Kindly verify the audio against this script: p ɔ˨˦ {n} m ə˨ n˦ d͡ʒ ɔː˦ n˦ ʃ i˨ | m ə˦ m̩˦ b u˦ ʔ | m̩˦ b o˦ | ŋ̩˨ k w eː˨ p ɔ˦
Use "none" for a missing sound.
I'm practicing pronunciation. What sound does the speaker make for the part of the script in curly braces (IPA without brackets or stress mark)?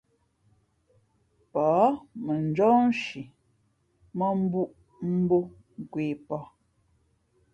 none